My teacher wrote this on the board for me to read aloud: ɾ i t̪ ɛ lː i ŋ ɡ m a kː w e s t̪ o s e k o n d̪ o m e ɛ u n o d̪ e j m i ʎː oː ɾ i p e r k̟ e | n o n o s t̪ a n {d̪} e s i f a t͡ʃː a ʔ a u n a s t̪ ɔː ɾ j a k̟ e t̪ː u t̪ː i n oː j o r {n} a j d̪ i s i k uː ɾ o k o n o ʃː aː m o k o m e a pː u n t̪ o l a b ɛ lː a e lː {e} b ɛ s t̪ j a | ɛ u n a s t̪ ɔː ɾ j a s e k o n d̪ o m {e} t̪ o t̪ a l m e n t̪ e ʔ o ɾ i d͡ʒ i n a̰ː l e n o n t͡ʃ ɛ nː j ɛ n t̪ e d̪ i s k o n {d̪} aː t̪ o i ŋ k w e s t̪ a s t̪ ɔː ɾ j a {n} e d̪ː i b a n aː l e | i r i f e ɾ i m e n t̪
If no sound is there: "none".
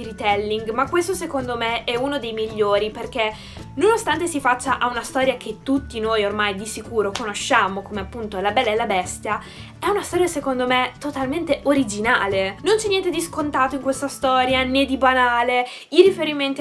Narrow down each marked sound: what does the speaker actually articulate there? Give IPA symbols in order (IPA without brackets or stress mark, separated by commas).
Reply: t̪, m, a, e, t̪, n